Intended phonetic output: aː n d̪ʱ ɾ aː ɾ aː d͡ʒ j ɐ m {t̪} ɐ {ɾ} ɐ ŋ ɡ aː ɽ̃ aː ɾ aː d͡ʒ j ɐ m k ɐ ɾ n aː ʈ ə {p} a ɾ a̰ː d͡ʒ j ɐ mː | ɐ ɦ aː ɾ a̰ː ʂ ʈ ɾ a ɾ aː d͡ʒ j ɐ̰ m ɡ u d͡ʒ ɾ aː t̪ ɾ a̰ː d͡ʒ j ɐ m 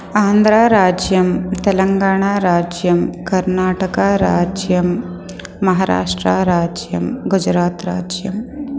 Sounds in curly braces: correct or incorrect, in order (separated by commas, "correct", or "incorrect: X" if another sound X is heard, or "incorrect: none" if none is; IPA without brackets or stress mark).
correct, incorrect: l, incorrect: k